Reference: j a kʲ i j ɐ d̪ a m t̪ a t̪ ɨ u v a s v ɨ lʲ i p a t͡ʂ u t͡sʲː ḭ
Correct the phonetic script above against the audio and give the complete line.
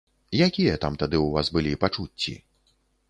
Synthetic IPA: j a kʲ i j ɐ t̪ a m t̪ a d̪ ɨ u v a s b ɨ lʲ i p a t͡ʂ u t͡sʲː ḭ